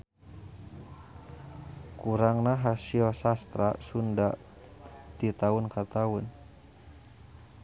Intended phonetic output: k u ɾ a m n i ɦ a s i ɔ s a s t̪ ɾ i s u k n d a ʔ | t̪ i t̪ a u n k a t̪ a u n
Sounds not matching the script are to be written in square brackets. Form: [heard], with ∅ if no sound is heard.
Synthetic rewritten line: k u ɾ a [ŋ] n [a] ɦ a s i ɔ s a s t̪ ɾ [a] s u [∅] n d a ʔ | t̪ i t̪ a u n k a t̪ a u n